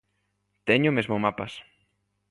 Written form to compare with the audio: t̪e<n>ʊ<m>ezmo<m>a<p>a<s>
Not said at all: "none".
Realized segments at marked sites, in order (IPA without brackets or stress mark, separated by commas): ɲ, m, m, p, s